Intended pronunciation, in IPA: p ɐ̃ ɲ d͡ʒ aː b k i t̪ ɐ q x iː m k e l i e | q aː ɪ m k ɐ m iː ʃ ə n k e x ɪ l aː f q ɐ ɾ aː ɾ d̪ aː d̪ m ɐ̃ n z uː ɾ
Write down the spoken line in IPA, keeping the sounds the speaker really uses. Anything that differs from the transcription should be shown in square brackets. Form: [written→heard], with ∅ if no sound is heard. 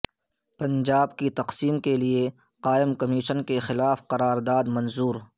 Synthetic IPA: p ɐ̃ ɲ d͡ʒ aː b k i t̪ ɐ q [x→s] iː m k e l i e | q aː ɪ m k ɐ m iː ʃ ə n k e x ɪ l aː f q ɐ ɾ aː ɾ d̪ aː d̪ m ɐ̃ n z uː ɾ